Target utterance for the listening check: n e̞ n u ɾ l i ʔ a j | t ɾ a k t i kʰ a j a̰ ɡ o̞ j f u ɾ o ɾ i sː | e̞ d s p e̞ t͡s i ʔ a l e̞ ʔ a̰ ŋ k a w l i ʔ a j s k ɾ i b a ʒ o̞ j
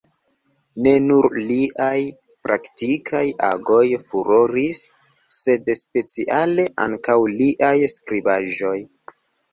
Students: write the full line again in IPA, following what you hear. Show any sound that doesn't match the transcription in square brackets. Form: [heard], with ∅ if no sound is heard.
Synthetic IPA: n e̞ n u ɾ l i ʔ a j | [p] ɾ a k t i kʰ a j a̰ ɡ o̞ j f u ɾ o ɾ i sː | e̞ d s p e̞ t͡s i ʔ a l e̞ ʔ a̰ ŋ k a w l i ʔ a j s k ɾ i b a ʒ o̞ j